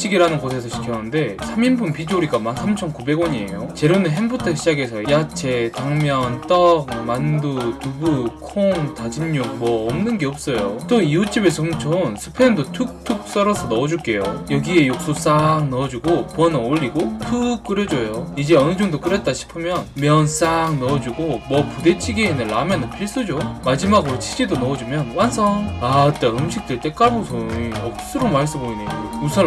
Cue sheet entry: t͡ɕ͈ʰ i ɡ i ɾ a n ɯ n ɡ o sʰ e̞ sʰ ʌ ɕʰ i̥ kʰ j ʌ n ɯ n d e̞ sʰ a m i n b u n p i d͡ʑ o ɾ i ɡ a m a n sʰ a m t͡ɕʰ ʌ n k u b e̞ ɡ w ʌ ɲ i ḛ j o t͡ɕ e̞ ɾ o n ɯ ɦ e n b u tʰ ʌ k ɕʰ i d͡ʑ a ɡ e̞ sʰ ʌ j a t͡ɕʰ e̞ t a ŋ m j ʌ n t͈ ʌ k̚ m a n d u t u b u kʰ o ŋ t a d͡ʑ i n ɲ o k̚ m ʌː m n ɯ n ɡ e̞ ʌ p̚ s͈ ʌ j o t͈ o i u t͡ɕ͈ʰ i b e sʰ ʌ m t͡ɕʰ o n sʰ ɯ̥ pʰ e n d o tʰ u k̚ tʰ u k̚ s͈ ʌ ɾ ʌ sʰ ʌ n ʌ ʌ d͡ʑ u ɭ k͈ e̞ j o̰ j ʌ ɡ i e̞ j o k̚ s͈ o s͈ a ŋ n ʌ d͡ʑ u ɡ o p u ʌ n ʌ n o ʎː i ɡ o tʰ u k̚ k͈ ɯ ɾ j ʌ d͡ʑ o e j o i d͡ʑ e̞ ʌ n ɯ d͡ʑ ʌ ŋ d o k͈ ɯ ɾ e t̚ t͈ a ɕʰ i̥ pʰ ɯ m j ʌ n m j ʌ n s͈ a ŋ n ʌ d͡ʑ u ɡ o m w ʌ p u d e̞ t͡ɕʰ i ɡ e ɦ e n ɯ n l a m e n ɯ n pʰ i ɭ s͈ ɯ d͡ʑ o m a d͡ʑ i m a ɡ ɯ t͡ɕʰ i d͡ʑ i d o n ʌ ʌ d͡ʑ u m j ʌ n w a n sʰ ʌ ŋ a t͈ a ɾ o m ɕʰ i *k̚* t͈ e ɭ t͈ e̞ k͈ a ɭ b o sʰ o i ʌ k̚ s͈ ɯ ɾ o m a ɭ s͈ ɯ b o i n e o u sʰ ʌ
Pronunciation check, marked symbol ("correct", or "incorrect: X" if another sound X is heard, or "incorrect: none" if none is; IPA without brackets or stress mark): correct